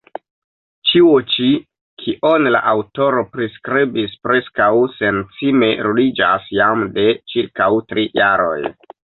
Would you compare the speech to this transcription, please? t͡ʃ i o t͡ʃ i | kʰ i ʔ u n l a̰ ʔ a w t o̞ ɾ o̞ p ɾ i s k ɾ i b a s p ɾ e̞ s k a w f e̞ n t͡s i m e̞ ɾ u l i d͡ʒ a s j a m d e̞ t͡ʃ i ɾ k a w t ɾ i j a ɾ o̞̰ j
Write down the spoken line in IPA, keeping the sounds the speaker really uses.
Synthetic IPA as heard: t͡ʃ i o t͡ʃ i | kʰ i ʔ o n l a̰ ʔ a w t o̞ ɾ o̞ p ɾ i s k ɾ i b i s p ɾ e̞ s k a w s e̞ n t͡s i m e̞ ɾ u l i d͡ʒ a s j a m d e̞ t͡ʃ i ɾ k a w t ɾ i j a ɾ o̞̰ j

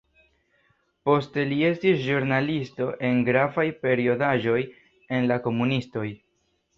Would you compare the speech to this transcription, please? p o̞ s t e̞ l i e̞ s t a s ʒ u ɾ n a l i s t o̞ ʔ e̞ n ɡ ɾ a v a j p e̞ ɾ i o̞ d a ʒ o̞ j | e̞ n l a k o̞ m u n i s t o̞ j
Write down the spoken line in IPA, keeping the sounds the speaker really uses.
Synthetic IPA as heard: p o̞ s t e̞ l i e̞ s t i s ʒ u ɾ n a l i s t o̞ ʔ e̞ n ɡ ɾ a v a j p e̞ ɾ i o̞ d a ʒ o̞ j | e̞ n l a k o̞ m u n i s t o̞ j

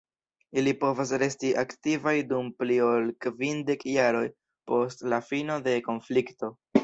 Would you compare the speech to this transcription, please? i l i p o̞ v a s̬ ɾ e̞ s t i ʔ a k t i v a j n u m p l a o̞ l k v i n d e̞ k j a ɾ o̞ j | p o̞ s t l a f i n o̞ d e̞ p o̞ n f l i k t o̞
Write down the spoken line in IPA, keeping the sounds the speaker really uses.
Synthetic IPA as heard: i l i p o̞ v a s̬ ɾ e̞ s t i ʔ a k t i v a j d u m p l i o̞ l k v i n d e̞ k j a ɾ o̞ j | p o̞ s t l a f i n o̞ d e̞ k o̞ n f l i k t o̞

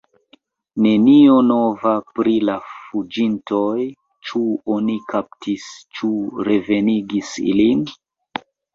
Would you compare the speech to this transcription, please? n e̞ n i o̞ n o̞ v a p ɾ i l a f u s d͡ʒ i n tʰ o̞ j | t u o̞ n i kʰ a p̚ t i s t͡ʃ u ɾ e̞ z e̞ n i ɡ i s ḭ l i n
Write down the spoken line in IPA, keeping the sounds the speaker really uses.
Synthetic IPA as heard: n e̞ n i o̞ n o̞ v a p ɾ i l a f u d͡ʒ i n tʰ o̞ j | t͡ʃ u o̞ n i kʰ a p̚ t i s t͡ʃ u ɾ e̞ v e̞ n i ɡ i s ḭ l i n

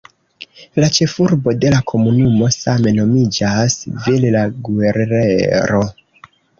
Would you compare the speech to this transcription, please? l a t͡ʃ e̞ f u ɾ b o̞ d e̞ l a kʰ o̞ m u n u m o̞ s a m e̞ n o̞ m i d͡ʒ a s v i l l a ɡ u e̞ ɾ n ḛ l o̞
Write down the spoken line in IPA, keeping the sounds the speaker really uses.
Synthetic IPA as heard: l a t͡ʃ e̞ f u ɾ b o̞ d e̞ l a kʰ o̞ m u n u m o̞ s a m e̞ n o̞ m i d͡ʒ a s v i l l a ɡ u e̞ ɾ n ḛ ɾ o̞

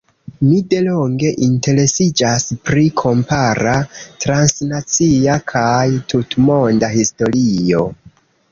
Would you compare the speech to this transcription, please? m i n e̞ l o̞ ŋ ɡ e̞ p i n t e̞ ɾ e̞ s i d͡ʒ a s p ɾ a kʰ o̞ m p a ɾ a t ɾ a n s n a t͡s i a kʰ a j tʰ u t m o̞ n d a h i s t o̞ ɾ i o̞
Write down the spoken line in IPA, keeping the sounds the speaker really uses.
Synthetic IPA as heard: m i d e̞ l o̞ ŋ ɡ e̞ ʔ i n t e̞ ɾ e̞ s i d͡ʒ a s p ɾ i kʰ o̞ m p a ɾ a t ɾ a n s n a t͡s i a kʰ a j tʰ u t m o̞ n d a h i s t o̞ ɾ i o̞

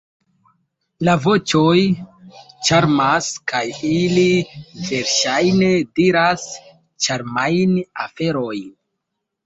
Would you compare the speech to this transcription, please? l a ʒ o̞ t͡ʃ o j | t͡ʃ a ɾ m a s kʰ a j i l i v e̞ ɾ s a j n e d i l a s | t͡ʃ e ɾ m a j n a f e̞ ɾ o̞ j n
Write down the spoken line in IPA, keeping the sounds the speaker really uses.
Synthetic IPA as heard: l a v o̞ t͡ʃ o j | t͡ʃ a ɾ m a s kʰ a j i l i v e̞ ɾ ʃ a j n e d i ɾ a s | t͡ʃ a ɾ m a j n a f e̞ ɾ o̞ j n

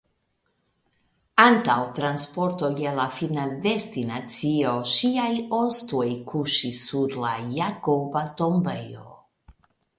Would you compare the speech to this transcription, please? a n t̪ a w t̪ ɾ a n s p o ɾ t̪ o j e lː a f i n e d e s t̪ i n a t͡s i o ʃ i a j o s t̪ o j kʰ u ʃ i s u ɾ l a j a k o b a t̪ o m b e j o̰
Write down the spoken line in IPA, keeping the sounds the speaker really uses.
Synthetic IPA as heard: a n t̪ a w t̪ ɾ a n s p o ɾ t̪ o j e l a f i n a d e s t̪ i n a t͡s i o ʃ i a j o s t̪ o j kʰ u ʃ i s u ɾ l a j a k o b a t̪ o m b e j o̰

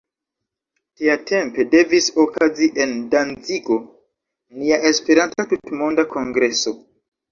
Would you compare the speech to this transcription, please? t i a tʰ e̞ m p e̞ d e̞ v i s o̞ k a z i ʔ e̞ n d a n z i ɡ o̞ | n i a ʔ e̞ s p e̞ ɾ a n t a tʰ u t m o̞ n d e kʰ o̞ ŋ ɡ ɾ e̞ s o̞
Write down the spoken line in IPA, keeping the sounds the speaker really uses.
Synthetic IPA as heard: t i a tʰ e̞ m p e̞ d e̞ v i s o̞ k a z i ʔ e̞ n d a n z i ɡ o̞ | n i a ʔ e̞ s p e̞ ɾ a n t a t u t m o̞ n d a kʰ o̞ ŋ ɡ ɾ e̞ s o̞

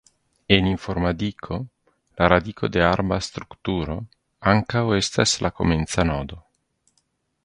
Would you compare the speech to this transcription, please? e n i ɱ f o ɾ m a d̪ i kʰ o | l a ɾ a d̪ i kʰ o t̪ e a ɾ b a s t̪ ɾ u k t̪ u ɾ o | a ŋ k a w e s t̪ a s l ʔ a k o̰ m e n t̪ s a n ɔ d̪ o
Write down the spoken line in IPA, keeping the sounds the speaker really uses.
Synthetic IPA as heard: e n i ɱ f o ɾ m a d̪ i kʰ o | l a ɾ a d̪ i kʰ o d̪ e a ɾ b a s t̪ ɾ u k t̪ u ɾ o | a ŋ k a w e s t̪ a s l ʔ a k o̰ m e n t̪ s a n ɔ d̪ o

